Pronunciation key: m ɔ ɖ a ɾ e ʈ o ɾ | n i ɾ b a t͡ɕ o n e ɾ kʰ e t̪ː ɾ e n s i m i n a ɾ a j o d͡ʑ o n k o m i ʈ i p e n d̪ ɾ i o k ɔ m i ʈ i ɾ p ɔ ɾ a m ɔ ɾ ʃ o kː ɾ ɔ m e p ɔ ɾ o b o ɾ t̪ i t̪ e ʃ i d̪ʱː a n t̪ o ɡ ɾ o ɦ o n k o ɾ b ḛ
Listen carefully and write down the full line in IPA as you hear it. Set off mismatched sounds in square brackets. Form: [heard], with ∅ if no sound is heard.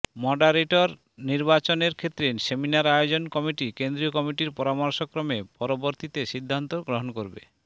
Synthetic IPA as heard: m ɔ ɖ a ɾ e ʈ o ɾ | n i ɾ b a t͡ɕ o n e ɾ kʰ e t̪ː ɾ e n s [e] m i n a ɾ a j o d͡ʑ o n k [ɔ] m i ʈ i [k] e n d̪ ɾ i o k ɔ m i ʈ i ɾ p ɔ ɾ a m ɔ ɾ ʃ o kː ɾ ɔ m e p ɔ ɾ o b o ɾ t̪ i t̪ e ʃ i d̪ʱː a n t̪ o ɡ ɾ o ɦ o n k o ɾ b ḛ